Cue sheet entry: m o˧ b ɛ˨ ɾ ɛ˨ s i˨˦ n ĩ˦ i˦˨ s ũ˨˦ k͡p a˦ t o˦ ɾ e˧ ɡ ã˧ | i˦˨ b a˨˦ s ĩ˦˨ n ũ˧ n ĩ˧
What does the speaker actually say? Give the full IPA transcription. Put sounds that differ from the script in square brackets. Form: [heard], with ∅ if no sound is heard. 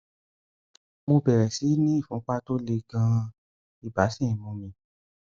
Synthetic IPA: m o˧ b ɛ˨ ɾ ɛ˨ s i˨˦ n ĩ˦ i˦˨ [f] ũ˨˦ k͡p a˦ t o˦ [l] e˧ ɡ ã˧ | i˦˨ b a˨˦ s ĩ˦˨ [m] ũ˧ [m] ĩ˧